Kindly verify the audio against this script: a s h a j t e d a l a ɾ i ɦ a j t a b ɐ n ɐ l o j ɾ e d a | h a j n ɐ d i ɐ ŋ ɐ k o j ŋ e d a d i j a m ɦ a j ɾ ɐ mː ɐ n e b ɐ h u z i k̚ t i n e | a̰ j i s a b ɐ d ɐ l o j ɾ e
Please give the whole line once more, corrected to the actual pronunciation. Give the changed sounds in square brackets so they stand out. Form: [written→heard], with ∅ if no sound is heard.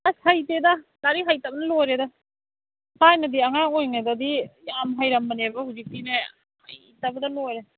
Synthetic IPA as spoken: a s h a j t e d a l a ɾ i ɦ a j t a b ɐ n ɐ l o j ɾ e d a | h a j n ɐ d i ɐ ŋ [ɐ→a] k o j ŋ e d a d i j a m ɦ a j ɾ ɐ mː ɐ n e b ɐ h u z i k̚ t i n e | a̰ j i [s→t] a b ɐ d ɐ l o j ɾ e